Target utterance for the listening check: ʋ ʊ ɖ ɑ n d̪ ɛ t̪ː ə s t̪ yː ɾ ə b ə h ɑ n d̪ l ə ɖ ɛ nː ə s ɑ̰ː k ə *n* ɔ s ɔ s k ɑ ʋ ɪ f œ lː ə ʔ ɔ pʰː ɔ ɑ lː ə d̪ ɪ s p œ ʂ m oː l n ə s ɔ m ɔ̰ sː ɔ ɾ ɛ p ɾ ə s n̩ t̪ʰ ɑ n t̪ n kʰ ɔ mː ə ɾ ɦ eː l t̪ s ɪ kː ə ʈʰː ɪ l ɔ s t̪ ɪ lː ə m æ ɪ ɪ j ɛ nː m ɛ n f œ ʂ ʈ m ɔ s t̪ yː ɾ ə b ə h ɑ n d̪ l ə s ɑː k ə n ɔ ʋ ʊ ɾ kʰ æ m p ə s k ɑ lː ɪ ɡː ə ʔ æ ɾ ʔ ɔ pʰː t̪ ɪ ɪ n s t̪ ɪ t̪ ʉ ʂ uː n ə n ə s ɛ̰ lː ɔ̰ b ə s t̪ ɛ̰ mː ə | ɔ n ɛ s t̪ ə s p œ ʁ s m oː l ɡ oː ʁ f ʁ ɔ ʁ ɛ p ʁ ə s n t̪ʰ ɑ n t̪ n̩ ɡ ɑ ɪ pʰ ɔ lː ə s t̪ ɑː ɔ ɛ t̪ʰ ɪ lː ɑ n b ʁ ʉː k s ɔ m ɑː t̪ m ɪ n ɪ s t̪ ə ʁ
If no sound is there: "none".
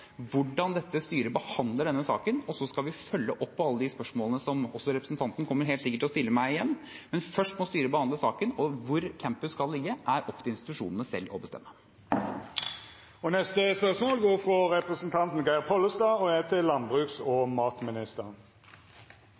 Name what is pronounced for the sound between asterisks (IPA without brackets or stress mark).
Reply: n